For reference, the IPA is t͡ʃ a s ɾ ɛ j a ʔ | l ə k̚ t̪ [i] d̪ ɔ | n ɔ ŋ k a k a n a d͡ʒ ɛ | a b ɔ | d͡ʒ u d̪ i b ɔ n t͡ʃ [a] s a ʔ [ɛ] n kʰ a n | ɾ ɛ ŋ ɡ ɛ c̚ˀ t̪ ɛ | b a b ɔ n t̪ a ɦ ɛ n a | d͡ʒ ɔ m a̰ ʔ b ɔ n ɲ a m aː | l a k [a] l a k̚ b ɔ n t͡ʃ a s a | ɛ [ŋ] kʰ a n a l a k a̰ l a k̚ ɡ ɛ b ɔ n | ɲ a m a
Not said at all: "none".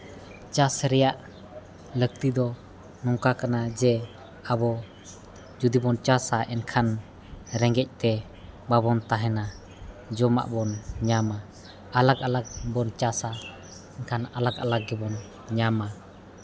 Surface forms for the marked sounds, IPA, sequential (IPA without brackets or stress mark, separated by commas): i, a, ɛ, a, n